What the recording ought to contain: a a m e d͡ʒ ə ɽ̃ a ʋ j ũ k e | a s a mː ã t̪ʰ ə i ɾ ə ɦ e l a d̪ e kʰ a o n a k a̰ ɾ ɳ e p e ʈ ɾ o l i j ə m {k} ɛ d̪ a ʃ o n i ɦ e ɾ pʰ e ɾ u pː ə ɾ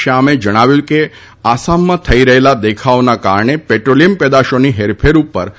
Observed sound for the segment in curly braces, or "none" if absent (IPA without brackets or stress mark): p